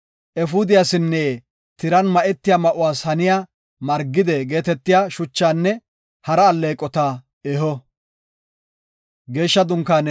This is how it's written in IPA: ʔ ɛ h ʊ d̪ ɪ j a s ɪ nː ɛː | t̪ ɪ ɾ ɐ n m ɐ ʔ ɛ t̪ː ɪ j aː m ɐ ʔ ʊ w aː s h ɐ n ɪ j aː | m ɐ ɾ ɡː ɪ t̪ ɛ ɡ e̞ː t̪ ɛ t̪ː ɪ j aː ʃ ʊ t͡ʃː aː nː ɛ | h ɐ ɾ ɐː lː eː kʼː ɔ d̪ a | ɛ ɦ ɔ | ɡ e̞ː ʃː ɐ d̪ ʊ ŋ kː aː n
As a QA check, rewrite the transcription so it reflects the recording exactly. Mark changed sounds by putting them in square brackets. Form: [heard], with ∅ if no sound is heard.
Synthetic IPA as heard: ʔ ɛ [f] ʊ d̪ ɪ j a s ɪ nː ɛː | t̪ ɪ ɾ ɐ n m ɐ ʔ ɛ t̪ː ɪ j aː m ɐ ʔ ʊ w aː s h ɐ n ɪ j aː | m ɐ ɾ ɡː ɪ [d̪] ɛ ɡ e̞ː t̪ ɛ t̪ː ɪ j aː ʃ ʊ t͡ʃː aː nː ɛ | h ɐ ɾ ɐː lː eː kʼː ɔ [t̪] a | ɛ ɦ ɔ | ɡ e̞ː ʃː ɐ d̪ ʊ ŋ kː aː n